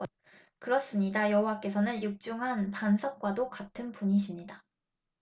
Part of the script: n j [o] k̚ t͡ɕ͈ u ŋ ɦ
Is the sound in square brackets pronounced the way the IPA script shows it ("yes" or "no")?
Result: no